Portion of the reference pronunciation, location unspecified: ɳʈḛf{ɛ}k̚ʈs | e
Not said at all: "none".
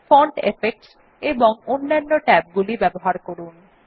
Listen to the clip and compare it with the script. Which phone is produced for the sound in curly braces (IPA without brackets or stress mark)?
e